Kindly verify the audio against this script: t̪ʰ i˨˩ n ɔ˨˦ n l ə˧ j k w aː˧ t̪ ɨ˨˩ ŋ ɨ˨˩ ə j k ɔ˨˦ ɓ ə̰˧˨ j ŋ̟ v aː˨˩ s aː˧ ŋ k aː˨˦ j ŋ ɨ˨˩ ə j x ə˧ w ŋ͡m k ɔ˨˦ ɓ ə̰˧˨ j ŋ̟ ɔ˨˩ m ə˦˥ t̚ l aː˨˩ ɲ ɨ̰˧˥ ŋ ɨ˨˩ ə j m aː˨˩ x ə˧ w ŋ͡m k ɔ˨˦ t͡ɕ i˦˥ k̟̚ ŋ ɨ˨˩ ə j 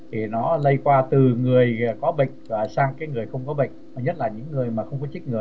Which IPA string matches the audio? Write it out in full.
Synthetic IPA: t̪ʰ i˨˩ n ɔ˨˦ l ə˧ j k w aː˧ t̪ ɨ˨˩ ŋ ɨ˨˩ ə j k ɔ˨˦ ɓ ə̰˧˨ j ŋ̟ v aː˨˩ s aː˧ ŋ k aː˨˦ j ŋ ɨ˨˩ ə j x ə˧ w ŋ͡m k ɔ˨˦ ɓ ə̰˧˨ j ŋ̟ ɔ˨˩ ɲ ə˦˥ t̚ l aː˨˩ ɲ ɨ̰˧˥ ŋː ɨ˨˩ ə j m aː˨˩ x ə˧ w ŋ͡m k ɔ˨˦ t͡ɕ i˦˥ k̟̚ ŋ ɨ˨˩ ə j